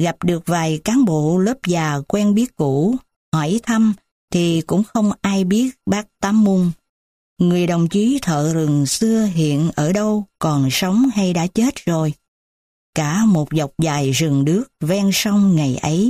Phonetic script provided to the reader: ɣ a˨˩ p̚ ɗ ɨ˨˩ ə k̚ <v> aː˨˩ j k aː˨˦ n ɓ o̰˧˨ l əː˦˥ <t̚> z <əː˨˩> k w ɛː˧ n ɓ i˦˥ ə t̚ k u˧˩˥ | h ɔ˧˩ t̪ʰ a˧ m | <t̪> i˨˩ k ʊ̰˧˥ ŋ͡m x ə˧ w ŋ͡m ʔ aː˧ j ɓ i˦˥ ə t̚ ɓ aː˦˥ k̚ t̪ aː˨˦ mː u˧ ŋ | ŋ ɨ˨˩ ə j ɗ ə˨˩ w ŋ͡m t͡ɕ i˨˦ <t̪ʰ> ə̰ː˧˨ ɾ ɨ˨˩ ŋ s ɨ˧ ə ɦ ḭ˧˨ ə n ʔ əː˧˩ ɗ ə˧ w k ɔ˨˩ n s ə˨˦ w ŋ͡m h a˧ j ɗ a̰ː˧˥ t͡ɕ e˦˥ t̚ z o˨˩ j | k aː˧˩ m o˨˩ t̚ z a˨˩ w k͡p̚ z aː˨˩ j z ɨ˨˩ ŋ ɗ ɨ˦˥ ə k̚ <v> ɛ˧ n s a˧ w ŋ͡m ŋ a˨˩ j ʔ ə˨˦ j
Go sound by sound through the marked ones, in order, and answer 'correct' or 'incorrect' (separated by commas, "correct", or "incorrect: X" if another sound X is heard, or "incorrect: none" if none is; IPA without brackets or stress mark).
correct, incorrect: p̚, incorrect: aː˨˩, incorrect: t̪ʰ, correct, correct